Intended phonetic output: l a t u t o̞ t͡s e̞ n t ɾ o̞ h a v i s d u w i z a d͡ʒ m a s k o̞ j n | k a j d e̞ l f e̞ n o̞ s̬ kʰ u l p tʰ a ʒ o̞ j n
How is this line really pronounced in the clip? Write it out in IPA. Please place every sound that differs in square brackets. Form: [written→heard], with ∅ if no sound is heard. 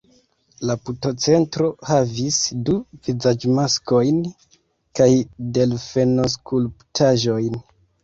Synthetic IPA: l a [t→p] u t o̞ t͡s e̞ n t ɾ o̞ h a v i s d u [w→v] i z a d͡ʒ m a s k o̞ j n | k a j d e̞ l f e̞ n o̞ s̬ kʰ u l p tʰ a ʒ o̞ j n